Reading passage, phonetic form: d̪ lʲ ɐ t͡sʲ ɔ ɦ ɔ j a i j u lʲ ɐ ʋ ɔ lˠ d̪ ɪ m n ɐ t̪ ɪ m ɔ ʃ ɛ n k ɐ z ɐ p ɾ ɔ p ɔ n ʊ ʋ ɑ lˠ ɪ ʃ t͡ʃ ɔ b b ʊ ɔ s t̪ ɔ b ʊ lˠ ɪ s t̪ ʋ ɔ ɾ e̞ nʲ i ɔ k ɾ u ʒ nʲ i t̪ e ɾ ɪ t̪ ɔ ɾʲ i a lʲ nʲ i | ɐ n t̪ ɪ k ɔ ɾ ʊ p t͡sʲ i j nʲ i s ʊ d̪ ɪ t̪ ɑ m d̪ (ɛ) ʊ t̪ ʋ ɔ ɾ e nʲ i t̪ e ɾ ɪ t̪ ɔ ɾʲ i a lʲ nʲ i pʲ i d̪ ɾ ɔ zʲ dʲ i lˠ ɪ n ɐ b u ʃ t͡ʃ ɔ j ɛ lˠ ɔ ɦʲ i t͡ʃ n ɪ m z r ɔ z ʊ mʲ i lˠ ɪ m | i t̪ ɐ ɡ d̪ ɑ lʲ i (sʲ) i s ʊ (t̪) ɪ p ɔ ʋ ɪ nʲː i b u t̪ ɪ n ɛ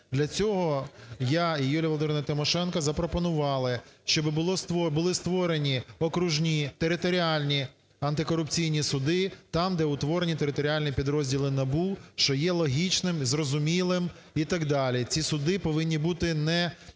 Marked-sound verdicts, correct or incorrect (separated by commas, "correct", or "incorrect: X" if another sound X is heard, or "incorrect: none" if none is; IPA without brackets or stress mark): correct, incorrect: t͡sʲ, incorrect: d̪